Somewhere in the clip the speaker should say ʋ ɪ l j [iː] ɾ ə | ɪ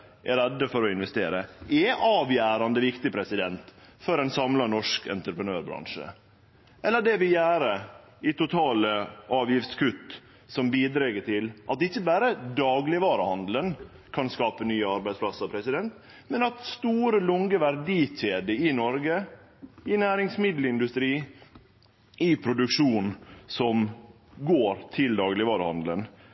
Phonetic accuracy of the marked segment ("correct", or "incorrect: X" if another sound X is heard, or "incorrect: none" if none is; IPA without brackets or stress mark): incorrect: æː